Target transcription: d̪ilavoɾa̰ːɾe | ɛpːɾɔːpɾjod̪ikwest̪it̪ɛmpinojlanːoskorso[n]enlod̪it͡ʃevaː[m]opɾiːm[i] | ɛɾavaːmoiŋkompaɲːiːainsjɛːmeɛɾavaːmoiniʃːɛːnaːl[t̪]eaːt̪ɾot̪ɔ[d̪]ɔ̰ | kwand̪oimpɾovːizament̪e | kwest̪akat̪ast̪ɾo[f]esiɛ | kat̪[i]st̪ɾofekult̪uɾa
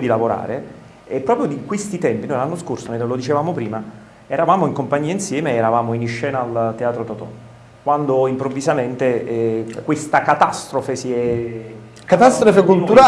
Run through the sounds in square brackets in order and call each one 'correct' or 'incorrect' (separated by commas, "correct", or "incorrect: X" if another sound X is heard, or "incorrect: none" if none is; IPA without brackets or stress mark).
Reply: correct, correct, incorrect: a, correct, incorrect: t̪, correct, incorrect: a